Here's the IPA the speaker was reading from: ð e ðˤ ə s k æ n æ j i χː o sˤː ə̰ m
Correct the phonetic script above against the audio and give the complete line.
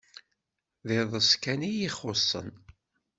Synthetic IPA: ð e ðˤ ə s k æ n i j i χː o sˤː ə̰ n